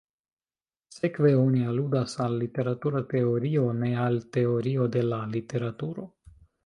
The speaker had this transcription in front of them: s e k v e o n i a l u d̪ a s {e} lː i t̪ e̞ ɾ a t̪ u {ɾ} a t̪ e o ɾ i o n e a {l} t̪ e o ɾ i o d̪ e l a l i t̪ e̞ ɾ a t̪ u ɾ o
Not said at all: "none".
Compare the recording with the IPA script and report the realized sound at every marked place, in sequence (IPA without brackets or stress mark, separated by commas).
a, ɾ, l